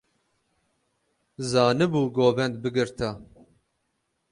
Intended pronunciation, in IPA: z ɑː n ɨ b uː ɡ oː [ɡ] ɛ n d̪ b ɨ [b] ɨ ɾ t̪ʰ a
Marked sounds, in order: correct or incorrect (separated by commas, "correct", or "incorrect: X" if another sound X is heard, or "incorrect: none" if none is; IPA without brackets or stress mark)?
incorrect: b, incorrect: ɡ